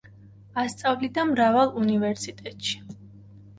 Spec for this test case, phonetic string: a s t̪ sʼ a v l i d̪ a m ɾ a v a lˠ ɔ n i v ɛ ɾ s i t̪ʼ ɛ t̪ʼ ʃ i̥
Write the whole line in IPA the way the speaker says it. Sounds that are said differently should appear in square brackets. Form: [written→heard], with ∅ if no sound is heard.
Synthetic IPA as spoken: a s t̪ sʼ a v l i d̪ a m ɾ a v a lˠ [ɔ→u] n i v ɛ ɾ s i t̪ʼ ɛ t̪ʼ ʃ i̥

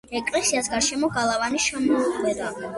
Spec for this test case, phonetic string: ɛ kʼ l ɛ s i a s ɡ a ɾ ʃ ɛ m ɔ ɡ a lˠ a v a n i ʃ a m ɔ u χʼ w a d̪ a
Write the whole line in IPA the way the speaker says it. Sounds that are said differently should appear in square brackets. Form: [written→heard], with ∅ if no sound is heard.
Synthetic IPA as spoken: ɛ kʼ l ɛ s i a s ɡ a ɾ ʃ ɛ m ɔ ɡ a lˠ a v a n i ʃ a m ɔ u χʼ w [a→ɛ] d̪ a

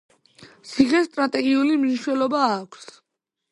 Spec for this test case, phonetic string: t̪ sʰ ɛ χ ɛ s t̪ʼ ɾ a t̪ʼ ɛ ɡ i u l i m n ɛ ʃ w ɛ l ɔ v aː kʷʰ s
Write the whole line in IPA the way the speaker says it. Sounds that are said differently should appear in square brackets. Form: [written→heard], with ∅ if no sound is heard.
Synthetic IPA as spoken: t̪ sʰ [ɛ→i] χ ɛ s t̪ʼ ɾ a t̪ʼ ɛ ɡ i u l i m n [ɛ→i] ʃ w ɛ l ɔ [v→b] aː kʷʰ s

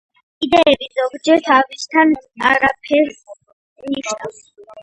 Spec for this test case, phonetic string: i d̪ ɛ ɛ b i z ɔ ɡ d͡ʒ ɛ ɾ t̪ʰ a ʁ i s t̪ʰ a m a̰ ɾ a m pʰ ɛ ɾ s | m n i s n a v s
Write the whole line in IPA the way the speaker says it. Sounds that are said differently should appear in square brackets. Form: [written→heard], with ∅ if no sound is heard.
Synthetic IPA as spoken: i d̪ ɛ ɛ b i z ɔ ɡ d͡ʒ ɛ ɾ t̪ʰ a [ʁ→v] i s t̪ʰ a [m→n] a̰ ɾ a [m→∅] pʰ ɛ ɾ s | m n i [s→ʃ] n a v s

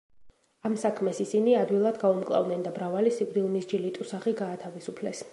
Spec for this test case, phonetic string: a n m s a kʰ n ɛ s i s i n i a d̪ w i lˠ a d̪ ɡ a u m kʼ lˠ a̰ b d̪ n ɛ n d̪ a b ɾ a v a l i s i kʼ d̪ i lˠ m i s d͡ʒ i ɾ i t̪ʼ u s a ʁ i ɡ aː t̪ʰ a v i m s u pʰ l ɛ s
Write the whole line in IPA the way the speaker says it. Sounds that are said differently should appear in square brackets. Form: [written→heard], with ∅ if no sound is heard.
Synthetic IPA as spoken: a [n→∅] m s a kʰ [n→m] ɛ s i s i n i a d̪ w i lˠ a d̪ ɡ a u m kʼ lˠ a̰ [b→v] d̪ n ɛ n d̪ a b ɾ a v a l i s i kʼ d̪ i lˠ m i s d͡ʒ i [ɾ→l] i t̪ʼ u s a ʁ i ɡ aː t̪ʰ a v i [m→∅] s u pʰ l ɛ s

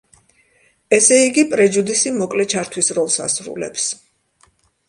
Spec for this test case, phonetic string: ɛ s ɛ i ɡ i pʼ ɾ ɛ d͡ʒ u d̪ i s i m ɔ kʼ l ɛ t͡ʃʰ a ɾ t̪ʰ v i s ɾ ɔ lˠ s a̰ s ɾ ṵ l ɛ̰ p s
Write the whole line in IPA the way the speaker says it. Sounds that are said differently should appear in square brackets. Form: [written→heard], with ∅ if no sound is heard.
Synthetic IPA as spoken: ɛ s ɛ i ɡ i pʼ ɾ ɛ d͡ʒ u d̪ i s i m ɔ kʼ l ɛ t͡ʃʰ a ɾ t̪ʰ [v→w] i s ɾ ɔ lˠ s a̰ s ɾ ṵ l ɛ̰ p s

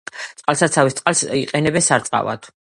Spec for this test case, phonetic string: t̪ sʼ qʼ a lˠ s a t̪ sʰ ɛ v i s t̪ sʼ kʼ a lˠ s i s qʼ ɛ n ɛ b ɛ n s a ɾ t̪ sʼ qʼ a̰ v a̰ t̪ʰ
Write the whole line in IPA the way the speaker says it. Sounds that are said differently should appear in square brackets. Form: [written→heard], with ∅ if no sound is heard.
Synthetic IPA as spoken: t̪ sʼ qʼ a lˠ s a t̪ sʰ [ɛ→a] v i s t̪ sʼ [kʼ→qʼ] a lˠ s i [s→∅] qʼ ɛ n ɛ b ɛ n s a ɾ t̪ sʼ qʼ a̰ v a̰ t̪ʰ

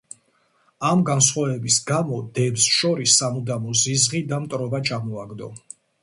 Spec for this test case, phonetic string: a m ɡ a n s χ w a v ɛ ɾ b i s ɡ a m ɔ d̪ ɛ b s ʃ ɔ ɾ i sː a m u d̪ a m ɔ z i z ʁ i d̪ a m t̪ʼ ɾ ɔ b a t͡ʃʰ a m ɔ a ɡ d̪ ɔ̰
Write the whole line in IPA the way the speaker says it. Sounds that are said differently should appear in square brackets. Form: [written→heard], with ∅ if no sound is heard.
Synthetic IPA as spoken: a m ɡ a n s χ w a v ɛ [ɾ→∅] b i s ɡ a m ɔ d̪ ɛ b s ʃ ɔ ɾ i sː a m u d̪ a m ɔ z i z ʁ i d̪ a m t̪ʼ ɾ ɔ b a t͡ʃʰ a m ɔ a ɡ d̪ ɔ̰

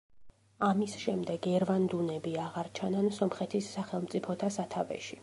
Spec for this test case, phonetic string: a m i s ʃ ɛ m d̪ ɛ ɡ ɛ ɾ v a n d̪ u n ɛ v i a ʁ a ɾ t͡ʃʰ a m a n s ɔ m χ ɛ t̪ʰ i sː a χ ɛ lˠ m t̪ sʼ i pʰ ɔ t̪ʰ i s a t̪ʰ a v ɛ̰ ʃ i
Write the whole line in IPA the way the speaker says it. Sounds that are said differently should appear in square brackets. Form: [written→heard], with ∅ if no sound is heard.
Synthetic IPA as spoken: a m i s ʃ ɛ m d̪ ɛ ɡ ɛ ɾ v a n d̪ u n ɛ [v→b] i a ʁ a ɾ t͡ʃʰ a [m→n] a n s ɔ m χ ɛ t̪ʰ i sː a χ ɛ lˠ m t̪ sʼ i pʰ ɔ t̪ʰ [i→a] s a t̪ʰ a v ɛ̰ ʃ i

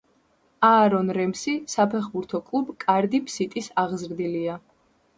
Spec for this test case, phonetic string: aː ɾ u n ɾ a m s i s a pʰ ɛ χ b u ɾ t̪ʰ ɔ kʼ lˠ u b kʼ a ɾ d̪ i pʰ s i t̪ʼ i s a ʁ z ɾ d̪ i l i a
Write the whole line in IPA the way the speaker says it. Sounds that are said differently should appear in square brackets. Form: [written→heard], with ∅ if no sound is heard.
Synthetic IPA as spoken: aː ɾ [u→ɔ] n ɾ [a→ɛ] m s i s a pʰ ɛ χ b u ɾ t̪ʰ ɔ kʼ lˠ u b kʼ a ɾ d̪ i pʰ s i t̪ʼ i s a ʁ z ɾ d̪ i l i a

